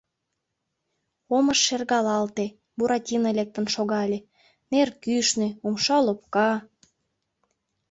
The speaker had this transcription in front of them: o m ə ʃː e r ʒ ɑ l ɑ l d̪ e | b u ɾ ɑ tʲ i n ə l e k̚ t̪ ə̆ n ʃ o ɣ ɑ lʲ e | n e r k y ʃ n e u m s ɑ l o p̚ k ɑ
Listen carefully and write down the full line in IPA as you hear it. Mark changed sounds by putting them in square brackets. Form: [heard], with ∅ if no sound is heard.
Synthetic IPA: o m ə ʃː e r [ɣ] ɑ l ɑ l [t̪] e | b u ɾ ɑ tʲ i n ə l e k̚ t̪ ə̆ n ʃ o ɣ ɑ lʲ e | n e r k y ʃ n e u m [ʃ] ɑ l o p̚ k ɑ